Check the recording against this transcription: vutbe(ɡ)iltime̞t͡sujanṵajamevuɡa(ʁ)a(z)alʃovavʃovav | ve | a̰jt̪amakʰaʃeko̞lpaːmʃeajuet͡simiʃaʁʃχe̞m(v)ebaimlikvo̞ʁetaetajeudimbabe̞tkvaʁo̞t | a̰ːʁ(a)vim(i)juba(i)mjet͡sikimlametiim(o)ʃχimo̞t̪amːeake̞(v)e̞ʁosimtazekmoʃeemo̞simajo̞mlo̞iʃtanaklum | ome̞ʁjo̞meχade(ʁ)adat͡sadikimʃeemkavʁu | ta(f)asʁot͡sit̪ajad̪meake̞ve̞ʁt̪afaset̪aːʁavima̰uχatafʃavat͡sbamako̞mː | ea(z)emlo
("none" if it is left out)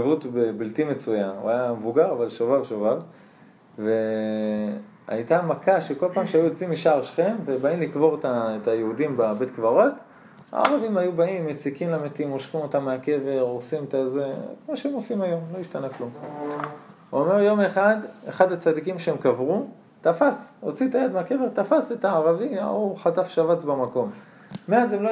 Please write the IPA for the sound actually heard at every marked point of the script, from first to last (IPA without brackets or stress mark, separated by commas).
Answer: b, ʁ, v, v, a, a, i, o, v, χ, f, z